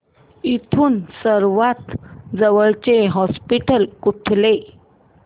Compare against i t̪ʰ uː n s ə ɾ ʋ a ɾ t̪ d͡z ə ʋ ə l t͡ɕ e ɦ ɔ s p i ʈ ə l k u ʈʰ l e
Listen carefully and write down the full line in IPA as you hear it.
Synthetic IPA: i t̪ʰ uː n s ə ɾ ʋ a t̪ d͡z ə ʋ ə ɭ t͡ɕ e ɦ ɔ s p i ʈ ə l k u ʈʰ l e